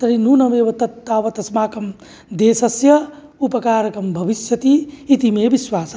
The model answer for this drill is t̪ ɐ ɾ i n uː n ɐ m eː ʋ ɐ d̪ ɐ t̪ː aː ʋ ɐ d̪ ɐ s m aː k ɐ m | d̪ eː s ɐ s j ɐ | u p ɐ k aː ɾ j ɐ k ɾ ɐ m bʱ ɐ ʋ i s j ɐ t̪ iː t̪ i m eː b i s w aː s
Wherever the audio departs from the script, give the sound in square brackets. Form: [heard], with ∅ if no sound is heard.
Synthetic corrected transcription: t̪ ɐ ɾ i n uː n ɐ m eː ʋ ɐ [t̪] ɐ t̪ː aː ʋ ɐ [t̪] ɐ s m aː k ɐ m | d̪ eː s ɐ s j ɐ | u p ɐ k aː ɾ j ɐ k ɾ ɐ m bʱ ɐ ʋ i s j ɐ t̪ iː t̪ i m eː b i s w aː s